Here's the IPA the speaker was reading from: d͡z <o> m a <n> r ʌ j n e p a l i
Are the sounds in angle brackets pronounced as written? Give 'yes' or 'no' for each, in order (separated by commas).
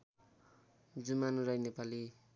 no, yes